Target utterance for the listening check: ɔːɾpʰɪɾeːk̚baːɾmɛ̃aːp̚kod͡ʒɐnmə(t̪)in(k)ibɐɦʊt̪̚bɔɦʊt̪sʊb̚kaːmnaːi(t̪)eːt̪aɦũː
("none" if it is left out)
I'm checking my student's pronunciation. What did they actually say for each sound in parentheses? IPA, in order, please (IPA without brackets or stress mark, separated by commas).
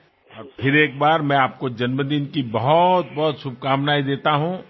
d̪, k, d̪